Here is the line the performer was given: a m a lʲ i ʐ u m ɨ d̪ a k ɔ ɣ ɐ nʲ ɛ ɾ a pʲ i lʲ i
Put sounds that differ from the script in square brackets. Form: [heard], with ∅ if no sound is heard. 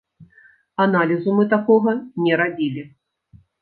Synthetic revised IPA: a [n] a lʲ i [z] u m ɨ [t̪] a k ɔ ɣ ɐ nʲ ɛ ɾ a [bʲ] i lʲ i

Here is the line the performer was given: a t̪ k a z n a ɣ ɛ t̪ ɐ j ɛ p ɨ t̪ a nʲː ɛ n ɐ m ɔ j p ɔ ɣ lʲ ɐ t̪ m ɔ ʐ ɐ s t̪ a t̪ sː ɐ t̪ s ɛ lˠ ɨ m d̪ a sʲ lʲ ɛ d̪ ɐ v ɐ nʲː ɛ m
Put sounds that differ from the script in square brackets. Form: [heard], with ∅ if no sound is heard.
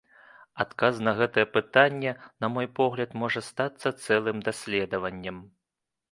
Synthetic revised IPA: a t̪ k a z n [ɐ] ɣ ɛ t̪ ɐ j ɛ p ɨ t̪ a nʲː ɛ n ɐ m ɔ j p ɔ ɣ lʲ ɐ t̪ m ɔ ʐ ɐ s t̪ a t̪ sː ɐ t̪ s ɛ lˠ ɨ m d̪ a sʲ lʲ ɛ d̪ ɐ v ɐ nʲː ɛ m

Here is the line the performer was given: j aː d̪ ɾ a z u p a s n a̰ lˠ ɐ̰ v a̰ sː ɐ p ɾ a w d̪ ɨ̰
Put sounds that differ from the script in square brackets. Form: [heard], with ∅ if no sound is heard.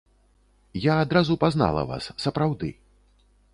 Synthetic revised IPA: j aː d̪ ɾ a z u p a [z] n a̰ lˠ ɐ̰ v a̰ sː ɐ p ɾ a w d̪ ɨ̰

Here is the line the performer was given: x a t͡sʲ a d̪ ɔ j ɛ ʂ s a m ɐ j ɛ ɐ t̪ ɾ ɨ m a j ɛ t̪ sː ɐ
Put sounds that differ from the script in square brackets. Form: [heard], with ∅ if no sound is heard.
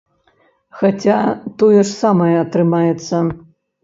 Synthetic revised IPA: x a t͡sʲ a [t̪] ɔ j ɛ ʂ s a m ɐ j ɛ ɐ t̪ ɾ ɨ m a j ɛ t̪ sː ɐ

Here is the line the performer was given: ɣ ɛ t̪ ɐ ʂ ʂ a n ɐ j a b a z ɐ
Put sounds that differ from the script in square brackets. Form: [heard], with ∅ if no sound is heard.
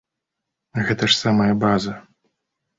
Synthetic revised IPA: ɣ ɛ t̪ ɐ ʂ [s] a [m] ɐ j [ɐ] b a z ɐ

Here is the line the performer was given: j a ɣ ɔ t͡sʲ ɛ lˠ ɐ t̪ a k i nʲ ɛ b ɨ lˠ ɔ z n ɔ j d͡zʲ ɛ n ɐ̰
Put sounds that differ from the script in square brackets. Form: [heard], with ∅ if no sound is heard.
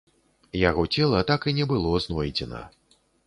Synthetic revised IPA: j a ɣ ɔ t͡sʲ ɛ lˠ ɐ t̪ a k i nʲ ɛ b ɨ lˠ ɔ z n ɔ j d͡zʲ ɛ n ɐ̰

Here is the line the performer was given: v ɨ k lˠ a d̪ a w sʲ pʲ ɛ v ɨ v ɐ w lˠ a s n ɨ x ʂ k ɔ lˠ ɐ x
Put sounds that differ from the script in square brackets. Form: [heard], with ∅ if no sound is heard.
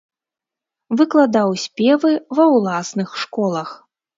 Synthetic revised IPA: v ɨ k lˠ a d̪ a w sʲ pʲ ɛ v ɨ v ɐ w lˠ a s n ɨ x ʂ k ɔ lˠ ɐ x

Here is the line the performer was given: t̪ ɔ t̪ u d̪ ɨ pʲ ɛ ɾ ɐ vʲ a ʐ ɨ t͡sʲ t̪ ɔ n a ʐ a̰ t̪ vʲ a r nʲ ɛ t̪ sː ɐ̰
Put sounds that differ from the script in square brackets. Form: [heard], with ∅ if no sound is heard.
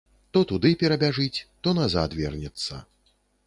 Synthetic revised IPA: t̪ ɔ t̪ u d̪ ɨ pʲ ɛ ɾ ɐ [bʲ] a ʐ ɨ t͡sʲ t̪ ɔ n a [z] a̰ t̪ vʲ [ɛ] r nʲ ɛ t̪ sː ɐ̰

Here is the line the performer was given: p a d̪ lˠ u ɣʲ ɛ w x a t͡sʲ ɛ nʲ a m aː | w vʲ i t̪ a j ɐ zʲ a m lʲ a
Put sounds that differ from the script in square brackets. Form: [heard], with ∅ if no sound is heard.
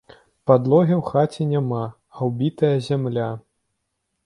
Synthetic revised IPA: p a d̪ lˠ [ɔ] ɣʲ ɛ w x a t͡sʲ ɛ nʲ a m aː | w [bʲ] i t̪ [ɐ] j ɐ zʲ a m lʲ a

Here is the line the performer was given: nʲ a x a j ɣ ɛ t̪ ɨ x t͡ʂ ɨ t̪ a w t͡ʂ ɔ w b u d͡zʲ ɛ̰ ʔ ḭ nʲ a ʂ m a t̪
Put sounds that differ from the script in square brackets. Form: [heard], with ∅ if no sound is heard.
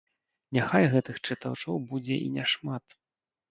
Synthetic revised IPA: nʲ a x a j ɣ ɛ t̪ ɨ x t͡ʂ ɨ t̪ a w t͡ʂ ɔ w b u d͡zʲ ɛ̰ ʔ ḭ nʲ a ʂ m a t̪

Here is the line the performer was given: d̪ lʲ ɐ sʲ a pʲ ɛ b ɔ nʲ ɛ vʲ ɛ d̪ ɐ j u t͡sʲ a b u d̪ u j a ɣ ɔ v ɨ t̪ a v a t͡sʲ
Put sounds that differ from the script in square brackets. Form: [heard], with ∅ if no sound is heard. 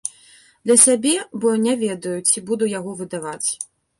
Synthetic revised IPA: d̪ lʲ ɐ sʲ a [bʲ] ɛ b ɔ nʲ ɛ vʲ ɛ d̪ ɐ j u t͡sʲ [i] b u d̪ u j a ɣ ɔ v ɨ [d̪] a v a t͡sʲ

